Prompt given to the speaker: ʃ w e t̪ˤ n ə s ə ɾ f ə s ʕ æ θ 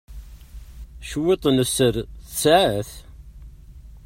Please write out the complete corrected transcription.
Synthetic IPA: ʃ w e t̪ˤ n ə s ə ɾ θ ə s ʕ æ θ